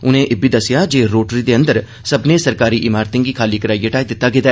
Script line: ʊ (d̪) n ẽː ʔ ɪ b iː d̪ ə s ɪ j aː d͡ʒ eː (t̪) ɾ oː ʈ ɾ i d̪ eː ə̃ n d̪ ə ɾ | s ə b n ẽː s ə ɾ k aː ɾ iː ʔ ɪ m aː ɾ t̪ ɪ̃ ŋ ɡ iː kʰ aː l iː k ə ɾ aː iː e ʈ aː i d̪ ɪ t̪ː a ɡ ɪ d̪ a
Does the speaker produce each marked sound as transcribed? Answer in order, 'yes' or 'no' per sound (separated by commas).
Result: no, no